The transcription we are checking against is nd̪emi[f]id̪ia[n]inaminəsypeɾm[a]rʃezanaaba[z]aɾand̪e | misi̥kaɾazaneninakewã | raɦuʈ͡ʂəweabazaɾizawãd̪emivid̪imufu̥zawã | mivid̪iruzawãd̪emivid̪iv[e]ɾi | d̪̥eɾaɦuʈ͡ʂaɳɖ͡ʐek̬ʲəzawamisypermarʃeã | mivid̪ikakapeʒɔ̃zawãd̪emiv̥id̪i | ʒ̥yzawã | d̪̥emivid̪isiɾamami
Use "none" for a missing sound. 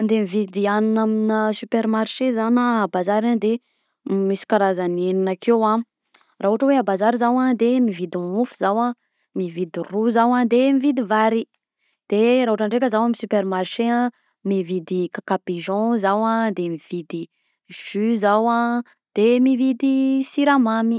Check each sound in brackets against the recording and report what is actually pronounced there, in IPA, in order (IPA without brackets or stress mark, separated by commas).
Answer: v, n, a, z, a